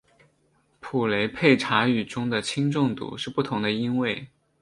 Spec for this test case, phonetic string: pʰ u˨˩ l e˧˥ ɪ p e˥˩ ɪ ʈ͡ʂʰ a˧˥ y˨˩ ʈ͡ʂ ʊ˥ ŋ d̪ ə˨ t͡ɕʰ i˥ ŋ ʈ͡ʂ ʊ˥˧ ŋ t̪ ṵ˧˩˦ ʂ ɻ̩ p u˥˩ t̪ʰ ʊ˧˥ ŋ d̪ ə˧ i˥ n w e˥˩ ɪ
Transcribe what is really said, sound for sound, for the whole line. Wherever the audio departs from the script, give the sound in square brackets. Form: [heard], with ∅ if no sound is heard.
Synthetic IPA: pʰ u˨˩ l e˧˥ ɪ [pʰ] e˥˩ ɪ ʈ͡ʂʰ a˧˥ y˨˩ ʈ͡ʂ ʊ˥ ŋ d̪ ə˨ t͡ɕʰ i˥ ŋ ʈ͡ʂ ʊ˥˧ ŋ t̪ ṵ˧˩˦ ʂ ɻ̩ p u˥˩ t̪ʰ ʊ˧˥ ŋ d̪ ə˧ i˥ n w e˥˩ ɪ